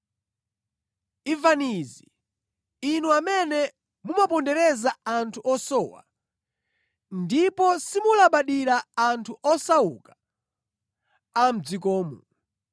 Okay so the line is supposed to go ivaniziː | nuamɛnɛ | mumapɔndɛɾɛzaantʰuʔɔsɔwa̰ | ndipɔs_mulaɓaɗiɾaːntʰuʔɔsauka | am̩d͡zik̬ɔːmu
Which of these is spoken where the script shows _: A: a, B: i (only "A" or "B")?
B